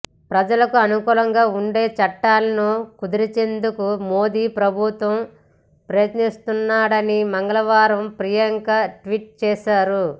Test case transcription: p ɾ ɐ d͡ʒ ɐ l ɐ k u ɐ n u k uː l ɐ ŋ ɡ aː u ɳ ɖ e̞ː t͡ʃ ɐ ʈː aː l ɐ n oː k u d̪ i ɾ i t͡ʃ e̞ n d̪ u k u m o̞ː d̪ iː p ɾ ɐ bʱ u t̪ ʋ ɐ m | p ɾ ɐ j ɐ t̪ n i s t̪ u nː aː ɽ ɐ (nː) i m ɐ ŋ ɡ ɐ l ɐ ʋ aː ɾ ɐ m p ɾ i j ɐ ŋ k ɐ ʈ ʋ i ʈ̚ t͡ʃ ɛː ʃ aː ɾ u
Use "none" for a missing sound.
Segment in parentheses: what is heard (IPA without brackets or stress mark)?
n